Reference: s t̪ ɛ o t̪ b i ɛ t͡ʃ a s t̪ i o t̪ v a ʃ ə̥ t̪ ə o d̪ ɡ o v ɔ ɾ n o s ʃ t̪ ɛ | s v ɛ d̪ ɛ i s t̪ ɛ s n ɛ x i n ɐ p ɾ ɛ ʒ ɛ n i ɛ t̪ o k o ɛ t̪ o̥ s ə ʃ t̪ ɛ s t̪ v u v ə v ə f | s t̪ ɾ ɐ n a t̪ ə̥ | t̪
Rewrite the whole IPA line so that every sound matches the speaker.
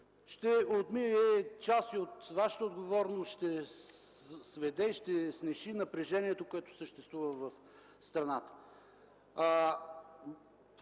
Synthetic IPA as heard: ʃ t̪ ɛ o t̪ m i ɛ t͡ʃ a s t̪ i o t̪ v a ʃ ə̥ t̪ ə o d̪ ɡ o v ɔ ɾ n o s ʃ t̪ ɛ | s v ɛ d̪ ɛ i ʃ t̪ ɛ s n ɛ ʃ i n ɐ p ɾ ɛ ʒ ɛ n i ɛ t̪ o k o ɛ t̪ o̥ s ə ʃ t̪ ɛ s t̪ v u v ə v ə f | s t̪ ɾ ɐ n a t̪ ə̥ | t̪